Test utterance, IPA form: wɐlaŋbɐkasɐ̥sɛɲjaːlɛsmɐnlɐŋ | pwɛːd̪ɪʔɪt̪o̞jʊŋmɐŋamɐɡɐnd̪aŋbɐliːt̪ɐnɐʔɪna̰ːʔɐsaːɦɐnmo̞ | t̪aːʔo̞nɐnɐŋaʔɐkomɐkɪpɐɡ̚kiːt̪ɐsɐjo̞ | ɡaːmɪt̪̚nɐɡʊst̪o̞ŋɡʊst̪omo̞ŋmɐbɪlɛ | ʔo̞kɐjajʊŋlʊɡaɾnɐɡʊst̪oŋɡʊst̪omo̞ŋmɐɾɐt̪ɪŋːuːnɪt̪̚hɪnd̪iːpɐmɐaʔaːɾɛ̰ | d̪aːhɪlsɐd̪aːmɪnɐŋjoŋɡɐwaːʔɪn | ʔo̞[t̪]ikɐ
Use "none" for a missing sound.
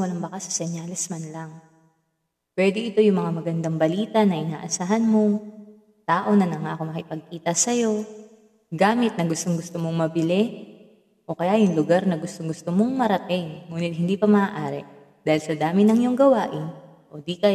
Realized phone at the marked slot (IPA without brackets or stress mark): d̪